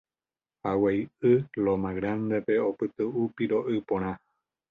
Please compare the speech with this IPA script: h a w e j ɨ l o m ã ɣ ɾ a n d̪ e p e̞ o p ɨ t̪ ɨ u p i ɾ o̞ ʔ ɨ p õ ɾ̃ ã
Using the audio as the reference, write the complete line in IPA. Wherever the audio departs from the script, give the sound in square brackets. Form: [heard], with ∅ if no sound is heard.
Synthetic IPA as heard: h a w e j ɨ l o m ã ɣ ɾ a n d̪ e p e̞ o p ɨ t̪ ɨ u p i ɾ o̞ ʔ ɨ p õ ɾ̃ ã